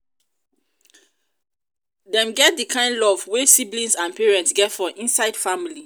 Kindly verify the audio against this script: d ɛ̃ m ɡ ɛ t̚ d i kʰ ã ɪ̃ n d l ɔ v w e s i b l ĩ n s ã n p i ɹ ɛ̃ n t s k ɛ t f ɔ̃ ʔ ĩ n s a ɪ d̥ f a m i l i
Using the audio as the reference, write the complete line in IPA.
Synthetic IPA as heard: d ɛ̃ m ɡ ɛ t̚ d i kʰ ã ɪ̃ n d l ɔ v w e s i b l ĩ n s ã n p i ɹ ɛ̃ n t s ɡ ɛ t f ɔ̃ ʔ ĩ n s a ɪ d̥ f a m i l i